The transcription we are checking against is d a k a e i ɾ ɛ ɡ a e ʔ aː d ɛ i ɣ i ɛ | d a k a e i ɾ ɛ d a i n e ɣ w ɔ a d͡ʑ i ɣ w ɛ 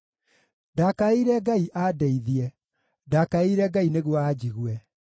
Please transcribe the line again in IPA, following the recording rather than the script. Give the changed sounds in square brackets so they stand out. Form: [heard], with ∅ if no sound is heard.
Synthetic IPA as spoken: d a k a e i ɾ ɛ ɡ a [i] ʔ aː d ɛ i [ð] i ɛ | d a k a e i ɾ ɛ [ɡ] a i n e ɣ w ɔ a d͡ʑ i ɣ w ɛ

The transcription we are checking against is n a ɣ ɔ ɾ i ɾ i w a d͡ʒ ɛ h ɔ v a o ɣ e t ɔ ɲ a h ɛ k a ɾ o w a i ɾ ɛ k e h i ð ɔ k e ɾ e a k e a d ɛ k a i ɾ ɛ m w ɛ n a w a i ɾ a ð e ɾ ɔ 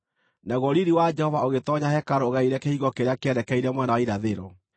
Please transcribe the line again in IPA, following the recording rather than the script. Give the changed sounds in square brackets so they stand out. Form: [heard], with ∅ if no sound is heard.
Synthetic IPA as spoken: n a ɣ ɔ ɾ i ɾ i w a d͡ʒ ɛ h ɔ v a o ɣ e t ɔ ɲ a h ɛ k a ɾ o [ɣ] a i ɾ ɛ k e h i [ɣ] ɔ k e ɾ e a k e [ɛ] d ɛ k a i ɾ ɛ m w ɛ n a w a i ɾ a ð e ɾ ɔ

